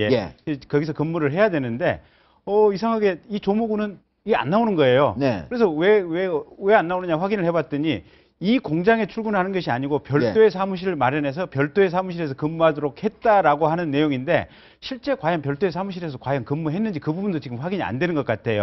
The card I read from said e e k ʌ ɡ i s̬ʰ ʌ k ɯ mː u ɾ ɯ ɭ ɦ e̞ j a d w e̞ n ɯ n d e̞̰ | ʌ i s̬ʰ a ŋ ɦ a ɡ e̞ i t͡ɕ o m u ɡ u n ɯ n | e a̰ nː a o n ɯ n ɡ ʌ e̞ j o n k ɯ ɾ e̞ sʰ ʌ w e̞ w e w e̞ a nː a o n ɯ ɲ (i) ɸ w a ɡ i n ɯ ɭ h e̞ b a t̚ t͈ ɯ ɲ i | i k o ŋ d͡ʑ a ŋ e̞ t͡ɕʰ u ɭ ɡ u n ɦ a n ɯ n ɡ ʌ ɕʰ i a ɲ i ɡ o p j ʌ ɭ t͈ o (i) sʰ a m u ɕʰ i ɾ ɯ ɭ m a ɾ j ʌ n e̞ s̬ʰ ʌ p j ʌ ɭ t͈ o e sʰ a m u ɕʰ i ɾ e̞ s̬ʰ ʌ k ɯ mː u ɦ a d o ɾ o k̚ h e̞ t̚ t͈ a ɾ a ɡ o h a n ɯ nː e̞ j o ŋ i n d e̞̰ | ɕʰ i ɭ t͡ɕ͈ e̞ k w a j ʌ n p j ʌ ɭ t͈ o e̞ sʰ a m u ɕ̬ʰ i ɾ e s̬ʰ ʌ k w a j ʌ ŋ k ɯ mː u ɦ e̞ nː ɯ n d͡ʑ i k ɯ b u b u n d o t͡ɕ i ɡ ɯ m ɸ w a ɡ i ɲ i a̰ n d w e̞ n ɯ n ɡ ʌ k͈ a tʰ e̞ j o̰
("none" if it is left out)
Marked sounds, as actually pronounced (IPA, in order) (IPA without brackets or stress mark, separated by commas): a, e